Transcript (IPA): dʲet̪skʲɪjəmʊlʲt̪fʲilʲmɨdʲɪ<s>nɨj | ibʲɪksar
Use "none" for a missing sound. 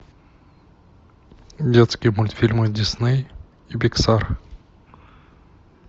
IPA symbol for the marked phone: s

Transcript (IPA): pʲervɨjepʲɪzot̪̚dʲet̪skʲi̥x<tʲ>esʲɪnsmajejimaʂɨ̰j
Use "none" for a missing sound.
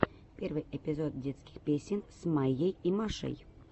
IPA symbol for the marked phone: pʲ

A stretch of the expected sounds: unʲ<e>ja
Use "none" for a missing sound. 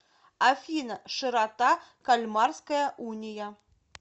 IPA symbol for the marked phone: i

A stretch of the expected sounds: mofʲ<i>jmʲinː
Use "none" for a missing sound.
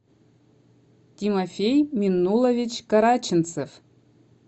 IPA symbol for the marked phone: e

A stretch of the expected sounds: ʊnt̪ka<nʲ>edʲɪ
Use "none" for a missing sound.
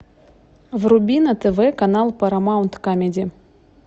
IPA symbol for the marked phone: mʲ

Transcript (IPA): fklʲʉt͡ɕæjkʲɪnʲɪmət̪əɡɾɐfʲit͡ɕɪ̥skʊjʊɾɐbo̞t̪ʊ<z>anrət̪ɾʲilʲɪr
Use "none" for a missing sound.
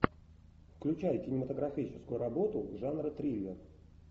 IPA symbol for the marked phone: ʐ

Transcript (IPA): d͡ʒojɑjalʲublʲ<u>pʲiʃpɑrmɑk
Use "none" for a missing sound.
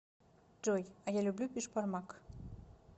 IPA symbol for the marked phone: u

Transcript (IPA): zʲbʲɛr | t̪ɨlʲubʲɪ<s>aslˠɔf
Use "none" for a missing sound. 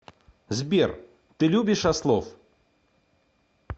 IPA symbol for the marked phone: ʂ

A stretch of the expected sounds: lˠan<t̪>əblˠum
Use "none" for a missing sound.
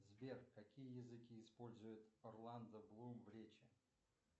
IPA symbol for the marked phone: d̪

